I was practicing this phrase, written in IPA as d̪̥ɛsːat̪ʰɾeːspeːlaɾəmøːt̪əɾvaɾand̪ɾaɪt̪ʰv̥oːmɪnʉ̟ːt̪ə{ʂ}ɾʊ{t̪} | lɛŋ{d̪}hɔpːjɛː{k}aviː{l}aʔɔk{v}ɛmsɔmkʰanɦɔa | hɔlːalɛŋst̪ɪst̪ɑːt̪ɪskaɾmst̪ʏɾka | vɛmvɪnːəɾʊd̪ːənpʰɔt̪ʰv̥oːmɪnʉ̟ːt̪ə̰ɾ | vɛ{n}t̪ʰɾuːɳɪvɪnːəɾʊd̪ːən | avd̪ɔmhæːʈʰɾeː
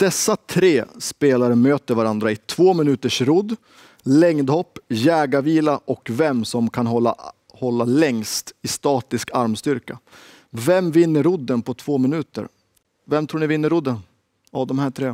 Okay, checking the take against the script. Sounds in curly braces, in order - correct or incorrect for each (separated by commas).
correct, incorrect, correct, incorrect, correct, correct, incorrect